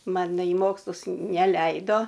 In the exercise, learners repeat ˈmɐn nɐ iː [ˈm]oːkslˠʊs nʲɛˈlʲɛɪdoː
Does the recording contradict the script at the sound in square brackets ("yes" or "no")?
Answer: no